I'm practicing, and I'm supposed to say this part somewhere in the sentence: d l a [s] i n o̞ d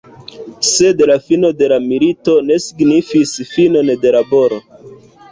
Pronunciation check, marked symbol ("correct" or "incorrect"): incorrect